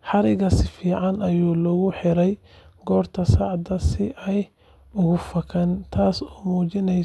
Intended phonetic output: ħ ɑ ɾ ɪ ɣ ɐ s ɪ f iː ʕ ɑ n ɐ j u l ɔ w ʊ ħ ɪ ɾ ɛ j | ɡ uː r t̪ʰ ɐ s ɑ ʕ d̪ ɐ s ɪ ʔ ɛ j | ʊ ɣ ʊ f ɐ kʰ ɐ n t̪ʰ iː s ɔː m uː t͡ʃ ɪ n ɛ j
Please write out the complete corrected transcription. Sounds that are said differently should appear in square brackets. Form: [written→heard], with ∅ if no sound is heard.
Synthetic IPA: ħ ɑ ɾ ɪ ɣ ɐ s ɪ f iː ʕ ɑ n ɐ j [u→uː] l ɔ [w→ɣ] ʊ ħ ɪ ɾ ɛ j | ɡ [uː→ɔː] r t̪ʰ ɐ s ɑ ʕ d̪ ɐ s ɪ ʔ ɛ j | ʊ ɣ ʊ f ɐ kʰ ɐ n t̪ʰ [iː→aː] s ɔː m uː t͡ʃ ɪ n ɛ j